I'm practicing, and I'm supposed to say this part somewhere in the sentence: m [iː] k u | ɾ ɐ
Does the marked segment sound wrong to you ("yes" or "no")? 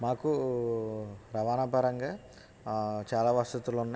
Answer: yes